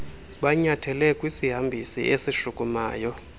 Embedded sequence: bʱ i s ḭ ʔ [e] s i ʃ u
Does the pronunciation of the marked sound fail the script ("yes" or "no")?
no